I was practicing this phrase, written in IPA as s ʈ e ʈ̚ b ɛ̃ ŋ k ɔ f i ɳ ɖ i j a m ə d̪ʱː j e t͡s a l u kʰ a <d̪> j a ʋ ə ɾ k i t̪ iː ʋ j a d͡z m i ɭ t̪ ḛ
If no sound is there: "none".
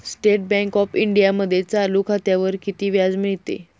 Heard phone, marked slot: t̪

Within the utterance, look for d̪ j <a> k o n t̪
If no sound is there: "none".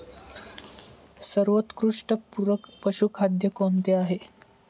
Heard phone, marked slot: ə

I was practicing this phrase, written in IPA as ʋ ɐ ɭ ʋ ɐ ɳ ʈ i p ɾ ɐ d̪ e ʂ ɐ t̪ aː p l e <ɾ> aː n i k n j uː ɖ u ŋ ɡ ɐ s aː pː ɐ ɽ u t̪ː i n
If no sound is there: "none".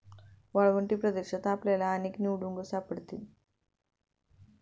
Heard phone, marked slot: l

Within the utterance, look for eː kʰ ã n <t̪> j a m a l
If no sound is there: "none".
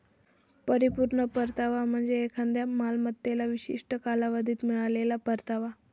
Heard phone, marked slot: d̪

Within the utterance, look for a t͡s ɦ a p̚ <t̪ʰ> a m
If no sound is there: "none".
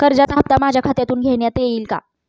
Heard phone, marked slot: t̪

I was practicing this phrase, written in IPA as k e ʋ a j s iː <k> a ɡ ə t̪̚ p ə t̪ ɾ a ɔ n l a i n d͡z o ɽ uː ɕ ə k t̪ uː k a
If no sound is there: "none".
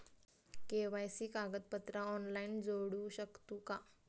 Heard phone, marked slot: k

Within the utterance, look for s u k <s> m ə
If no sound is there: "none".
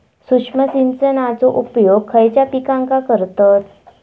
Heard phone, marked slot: ʂ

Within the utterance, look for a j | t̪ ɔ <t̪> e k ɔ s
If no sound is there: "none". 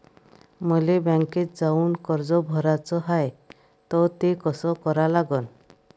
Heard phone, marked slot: t̪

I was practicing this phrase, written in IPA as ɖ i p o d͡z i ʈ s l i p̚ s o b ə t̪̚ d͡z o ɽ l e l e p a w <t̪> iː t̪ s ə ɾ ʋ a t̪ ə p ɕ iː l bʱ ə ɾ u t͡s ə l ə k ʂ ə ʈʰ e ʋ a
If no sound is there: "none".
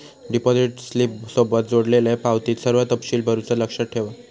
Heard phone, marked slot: t̪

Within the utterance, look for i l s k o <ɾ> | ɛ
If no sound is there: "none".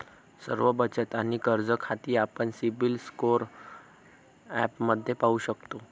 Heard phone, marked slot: ɾ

